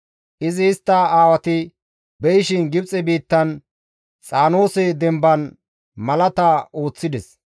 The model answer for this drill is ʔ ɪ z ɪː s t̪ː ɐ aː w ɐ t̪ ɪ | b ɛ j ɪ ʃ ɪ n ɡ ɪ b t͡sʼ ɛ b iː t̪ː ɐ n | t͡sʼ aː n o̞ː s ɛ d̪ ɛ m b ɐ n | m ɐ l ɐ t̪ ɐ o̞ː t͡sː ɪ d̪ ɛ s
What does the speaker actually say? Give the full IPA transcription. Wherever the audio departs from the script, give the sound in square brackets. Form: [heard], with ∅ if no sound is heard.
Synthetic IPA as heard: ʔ ɪ z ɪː s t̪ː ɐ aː w ɐ t̪ ɪ | b ɛ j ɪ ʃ ɪ n ɡ ɪ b t͡sʼ ɛ b iː t̪ː ɐ n | t͡sʼ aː n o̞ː s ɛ d̪ ɛ m b ɐ n | m ɐ l ɐ t̪ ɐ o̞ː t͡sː ɪ d̪ ɛ s